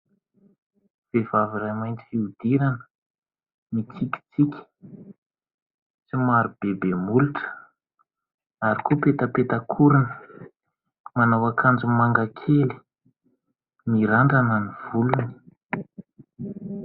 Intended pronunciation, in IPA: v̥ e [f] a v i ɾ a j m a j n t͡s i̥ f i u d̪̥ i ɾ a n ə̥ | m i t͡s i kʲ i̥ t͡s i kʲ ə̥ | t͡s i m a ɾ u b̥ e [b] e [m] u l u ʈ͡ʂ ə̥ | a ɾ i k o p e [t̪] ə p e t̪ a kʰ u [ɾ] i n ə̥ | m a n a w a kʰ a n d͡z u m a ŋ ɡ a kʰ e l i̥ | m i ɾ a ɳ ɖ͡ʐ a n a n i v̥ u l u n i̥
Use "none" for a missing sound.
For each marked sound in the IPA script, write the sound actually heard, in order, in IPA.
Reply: v, b, m, t̪, ɾ

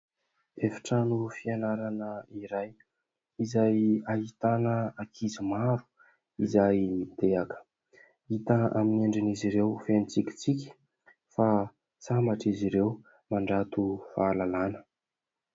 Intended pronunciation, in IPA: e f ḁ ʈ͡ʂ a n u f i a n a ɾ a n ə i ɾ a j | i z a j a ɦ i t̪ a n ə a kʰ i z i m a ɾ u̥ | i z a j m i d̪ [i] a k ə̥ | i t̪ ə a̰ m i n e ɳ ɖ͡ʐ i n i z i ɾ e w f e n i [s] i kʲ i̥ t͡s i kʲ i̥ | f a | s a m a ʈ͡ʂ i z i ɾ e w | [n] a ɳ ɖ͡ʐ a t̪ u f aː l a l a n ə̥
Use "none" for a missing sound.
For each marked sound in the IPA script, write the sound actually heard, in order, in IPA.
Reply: e, t͡s, m

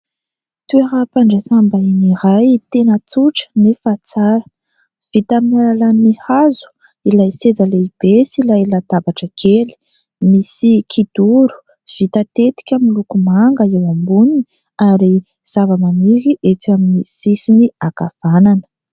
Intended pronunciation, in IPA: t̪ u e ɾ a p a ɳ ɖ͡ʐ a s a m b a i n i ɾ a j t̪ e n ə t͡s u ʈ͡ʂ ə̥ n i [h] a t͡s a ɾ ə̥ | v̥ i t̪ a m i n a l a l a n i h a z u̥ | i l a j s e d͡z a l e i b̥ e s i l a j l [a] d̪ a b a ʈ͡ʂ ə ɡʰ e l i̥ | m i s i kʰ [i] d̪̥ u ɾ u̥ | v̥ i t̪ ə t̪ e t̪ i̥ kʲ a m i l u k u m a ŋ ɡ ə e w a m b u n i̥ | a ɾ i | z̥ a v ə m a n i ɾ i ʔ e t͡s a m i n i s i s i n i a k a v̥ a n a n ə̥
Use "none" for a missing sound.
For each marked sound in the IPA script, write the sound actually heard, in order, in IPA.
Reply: f, a, i

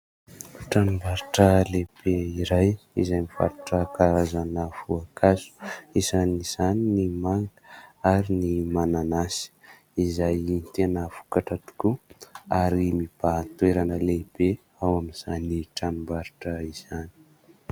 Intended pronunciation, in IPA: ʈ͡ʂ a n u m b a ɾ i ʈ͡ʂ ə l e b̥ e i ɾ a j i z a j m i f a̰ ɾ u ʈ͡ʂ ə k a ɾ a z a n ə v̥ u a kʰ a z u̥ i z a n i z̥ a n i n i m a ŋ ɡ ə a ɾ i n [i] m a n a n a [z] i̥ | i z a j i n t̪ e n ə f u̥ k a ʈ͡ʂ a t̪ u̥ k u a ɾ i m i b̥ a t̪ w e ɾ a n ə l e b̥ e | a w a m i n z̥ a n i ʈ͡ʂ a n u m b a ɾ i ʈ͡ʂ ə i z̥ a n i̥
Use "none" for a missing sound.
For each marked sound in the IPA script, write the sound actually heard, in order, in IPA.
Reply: i, s

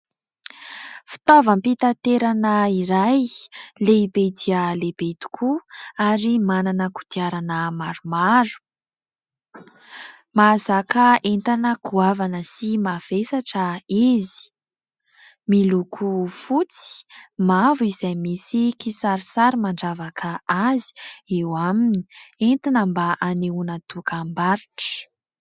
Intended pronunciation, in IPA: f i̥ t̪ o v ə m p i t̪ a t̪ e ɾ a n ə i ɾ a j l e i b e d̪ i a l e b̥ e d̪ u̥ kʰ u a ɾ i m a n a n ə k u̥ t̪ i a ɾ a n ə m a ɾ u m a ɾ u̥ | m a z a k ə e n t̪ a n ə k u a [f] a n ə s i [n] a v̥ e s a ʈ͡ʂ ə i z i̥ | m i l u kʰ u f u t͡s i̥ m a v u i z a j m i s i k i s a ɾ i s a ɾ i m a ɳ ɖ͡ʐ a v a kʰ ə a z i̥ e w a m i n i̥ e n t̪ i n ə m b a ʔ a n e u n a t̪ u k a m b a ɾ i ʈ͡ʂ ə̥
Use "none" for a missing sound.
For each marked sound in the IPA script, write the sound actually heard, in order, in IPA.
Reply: v, m

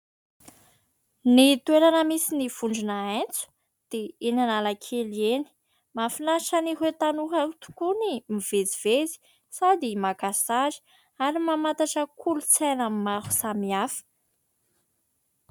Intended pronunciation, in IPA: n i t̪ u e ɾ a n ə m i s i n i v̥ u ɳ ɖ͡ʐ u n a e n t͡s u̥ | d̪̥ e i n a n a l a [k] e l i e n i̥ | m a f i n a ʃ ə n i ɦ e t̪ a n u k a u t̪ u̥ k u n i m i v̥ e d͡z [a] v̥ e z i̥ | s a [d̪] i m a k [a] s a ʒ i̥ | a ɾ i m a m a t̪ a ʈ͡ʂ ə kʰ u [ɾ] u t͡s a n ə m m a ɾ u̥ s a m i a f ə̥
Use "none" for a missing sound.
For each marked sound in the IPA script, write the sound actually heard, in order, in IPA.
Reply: kʰ, i, d̪, a, l

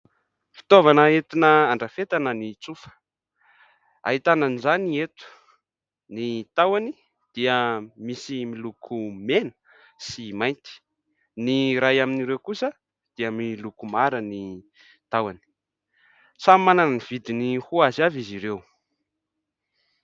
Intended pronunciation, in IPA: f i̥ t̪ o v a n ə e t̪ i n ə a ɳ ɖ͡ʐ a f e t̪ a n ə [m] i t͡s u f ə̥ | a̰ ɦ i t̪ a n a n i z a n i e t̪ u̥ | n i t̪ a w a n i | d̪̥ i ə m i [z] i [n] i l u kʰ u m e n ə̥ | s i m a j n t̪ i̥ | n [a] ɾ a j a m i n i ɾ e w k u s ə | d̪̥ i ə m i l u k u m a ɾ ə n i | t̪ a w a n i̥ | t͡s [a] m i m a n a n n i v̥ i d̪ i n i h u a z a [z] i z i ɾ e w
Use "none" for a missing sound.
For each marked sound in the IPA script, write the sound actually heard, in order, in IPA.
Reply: n, s, m, i, a, v

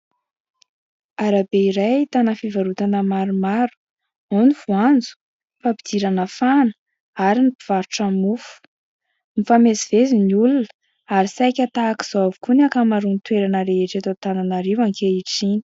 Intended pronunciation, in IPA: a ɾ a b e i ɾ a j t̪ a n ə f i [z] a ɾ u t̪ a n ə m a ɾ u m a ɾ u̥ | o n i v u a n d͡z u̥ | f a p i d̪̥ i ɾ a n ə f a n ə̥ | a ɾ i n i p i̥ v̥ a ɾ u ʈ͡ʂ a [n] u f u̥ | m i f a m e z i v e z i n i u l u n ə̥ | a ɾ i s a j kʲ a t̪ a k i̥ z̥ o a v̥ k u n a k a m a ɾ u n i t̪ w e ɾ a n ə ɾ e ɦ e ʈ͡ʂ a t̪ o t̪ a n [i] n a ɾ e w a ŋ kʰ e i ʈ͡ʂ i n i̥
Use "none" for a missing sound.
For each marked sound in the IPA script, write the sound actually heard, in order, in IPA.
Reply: v, m, a

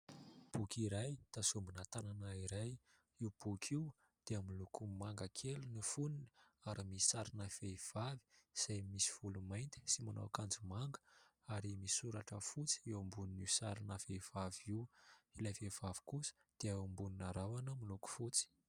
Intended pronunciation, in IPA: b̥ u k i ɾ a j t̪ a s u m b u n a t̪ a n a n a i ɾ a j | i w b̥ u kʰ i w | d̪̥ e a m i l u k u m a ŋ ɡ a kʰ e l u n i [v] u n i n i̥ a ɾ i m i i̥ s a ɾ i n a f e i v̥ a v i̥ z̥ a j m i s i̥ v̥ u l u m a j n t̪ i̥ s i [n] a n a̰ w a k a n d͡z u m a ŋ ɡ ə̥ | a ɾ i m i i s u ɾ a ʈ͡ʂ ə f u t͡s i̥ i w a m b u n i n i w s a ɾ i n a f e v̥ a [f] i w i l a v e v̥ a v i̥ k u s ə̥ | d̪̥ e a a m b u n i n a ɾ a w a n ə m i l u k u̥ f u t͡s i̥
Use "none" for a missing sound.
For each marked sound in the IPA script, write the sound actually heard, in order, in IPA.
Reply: f, m, v

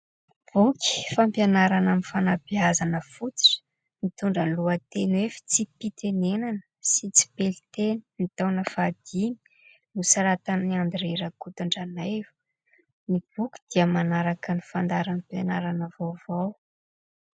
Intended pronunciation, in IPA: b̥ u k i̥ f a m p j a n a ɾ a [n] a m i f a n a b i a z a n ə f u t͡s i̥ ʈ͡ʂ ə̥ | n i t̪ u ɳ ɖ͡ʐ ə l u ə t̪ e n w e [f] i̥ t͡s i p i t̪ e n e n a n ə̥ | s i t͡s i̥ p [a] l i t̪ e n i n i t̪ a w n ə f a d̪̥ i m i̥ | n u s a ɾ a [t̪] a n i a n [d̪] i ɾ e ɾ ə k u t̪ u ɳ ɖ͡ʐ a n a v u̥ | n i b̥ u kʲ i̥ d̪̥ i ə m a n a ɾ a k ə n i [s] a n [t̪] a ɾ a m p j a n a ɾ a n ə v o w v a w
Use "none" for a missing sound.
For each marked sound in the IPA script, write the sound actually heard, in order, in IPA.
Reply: n, f, e, t̪, d̪, f, d̪

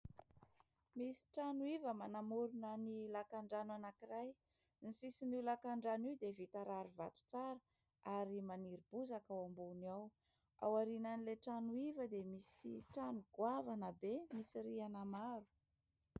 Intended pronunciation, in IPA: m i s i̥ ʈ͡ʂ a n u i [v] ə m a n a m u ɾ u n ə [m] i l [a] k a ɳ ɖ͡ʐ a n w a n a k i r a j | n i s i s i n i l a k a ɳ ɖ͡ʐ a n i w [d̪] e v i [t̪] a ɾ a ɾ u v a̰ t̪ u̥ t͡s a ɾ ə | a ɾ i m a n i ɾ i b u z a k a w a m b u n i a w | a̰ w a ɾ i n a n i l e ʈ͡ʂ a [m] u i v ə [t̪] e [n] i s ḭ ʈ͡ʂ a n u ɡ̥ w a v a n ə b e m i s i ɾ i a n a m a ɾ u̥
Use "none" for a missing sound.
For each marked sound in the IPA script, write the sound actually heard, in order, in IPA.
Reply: v, n, a, d̪, t̪, n, d̪, m

